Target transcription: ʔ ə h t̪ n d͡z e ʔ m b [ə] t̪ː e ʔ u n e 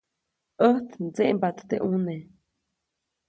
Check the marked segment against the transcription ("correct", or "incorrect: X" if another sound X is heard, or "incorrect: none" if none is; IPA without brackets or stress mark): incorrect: a